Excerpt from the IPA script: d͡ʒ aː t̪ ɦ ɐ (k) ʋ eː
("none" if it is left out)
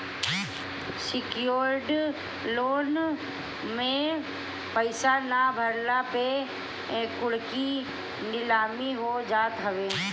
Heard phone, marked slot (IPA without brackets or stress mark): none